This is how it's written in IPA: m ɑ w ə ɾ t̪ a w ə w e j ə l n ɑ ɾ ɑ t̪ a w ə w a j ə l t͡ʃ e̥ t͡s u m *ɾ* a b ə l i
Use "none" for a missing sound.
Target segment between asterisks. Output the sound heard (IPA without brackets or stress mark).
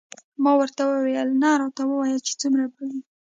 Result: ɾ